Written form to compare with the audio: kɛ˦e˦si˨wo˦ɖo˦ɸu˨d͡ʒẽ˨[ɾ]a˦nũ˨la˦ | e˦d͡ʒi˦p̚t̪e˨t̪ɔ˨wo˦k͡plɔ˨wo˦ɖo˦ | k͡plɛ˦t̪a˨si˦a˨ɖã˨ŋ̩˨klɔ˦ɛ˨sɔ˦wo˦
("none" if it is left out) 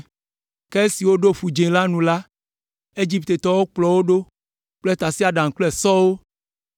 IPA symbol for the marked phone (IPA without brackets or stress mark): l